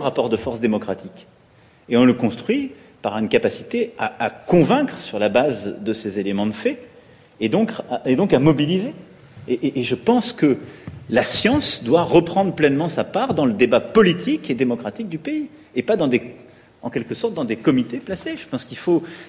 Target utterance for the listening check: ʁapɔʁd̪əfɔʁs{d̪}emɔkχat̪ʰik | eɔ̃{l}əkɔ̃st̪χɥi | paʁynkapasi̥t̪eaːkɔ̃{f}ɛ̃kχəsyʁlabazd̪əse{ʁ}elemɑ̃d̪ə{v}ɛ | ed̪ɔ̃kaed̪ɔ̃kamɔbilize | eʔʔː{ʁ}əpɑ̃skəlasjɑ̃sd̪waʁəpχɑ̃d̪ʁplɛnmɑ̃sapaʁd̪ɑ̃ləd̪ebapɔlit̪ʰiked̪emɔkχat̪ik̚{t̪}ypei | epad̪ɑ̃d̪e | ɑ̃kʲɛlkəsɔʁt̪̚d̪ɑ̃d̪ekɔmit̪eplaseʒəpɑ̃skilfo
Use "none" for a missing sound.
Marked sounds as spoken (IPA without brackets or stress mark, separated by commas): d̪, l, v, z, f, ʒ, d̪